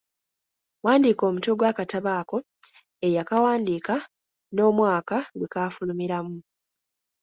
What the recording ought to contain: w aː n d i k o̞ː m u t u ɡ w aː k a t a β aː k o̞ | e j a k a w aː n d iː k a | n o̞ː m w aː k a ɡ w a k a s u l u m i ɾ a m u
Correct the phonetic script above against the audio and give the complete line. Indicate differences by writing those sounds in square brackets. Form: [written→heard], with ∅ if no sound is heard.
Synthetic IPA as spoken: w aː n d i k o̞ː m u t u ɡ w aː k a t a β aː k o̞ | e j a k a w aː n d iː k a | n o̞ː m w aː k a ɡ w [a→e] k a [s→f] u l u m i ɾ a m u

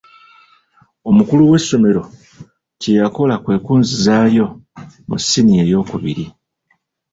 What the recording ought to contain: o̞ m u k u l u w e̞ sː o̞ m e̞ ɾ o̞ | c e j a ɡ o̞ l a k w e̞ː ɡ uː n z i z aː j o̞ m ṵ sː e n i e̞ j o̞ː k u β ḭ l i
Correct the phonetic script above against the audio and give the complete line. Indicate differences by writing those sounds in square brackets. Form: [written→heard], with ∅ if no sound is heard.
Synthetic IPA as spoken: o̞ m u k u l u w e̞ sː o̞ m e̞ ɾ o̞ | c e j a [ɡ→k] o̞ l a k w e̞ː [ɡ→k] uː n z i z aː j o̞ m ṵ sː [e→i] n i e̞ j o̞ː k u β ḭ [l→ɾ] i

